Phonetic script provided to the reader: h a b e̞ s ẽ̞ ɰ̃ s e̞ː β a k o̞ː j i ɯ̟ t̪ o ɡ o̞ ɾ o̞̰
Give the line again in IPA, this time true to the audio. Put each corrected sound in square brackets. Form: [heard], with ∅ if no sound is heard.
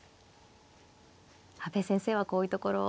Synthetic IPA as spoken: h a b e̞ s ẽ̞ ɰ̃ s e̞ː β a k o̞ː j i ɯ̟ t̪ o [k] o̞ ɾ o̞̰